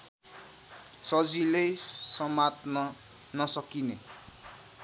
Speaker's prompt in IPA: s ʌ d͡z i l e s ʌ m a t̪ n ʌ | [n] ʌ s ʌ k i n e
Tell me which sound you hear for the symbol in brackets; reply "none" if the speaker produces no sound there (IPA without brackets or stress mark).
n